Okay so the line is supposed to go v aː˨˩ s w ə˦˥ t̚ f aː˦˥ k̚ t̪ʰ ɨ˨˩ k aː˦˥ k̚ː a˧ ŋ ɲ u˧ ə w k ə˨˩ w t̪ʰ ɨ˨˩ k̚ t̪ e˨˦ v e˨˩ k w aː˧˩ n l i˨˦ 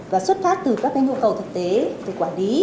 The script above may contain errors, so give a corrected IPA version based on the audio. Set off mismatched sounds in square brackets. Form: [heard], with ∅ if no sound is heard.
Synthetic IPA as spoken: v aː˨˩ s w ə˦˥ t̚ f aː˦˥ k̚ [t̪] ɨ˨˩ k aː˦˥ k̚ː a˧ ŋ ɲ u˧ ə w k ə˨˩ w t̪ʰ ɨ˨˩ k̚ t̪ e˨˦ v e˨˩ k w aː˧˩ n l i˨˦